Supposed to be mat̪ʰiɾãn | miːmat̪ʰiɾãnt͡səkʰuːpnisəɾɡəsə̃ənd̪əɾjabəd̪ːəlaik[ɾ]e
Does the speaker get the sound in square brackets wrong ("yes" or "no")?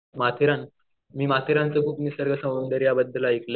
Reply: yes